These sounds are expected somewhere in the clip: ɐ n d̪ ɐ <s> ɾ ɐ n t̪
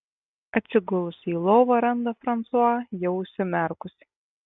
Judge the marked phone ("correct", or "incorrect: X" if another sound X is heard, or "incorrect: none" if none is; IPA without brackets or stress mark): incorrect: f